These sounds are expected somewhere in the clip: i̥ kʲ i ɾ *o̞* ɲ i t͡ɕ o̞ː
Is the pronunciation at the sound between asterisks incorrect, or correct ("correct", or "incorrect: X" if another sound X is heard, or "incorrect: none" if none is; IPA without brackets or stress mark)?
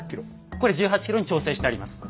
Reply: correct